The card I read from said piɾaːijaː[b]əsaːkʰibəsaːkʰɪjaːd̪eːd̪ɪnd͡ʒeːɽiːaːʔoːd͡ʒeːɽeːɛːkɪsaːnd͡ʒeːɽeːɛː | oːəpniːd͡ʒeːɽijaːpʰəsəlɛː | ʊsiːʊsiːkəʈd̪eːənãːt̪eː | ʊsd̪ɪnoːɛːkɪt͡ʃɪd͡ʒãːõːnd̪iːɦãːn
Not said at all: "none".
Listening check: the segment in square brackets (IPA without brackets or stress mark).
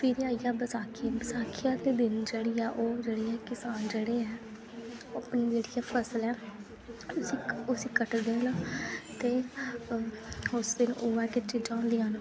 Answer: b